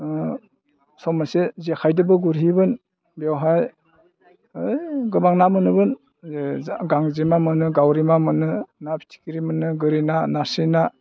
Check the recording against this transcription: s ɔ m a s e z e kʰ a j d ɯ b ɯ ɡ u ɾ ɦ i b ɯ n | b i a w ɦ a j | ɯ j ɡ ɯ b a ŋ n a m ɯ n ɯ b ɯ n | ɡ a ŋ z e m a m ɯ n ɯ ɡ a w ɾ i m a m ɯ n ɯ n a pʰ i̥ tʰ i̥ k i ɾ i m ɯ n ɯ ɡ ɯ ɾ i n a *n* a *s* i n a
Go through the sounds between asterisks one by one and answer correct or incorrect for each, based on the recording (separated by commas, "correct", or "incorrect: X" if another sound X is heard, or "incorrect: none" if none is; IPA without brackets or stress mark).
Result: correct, correct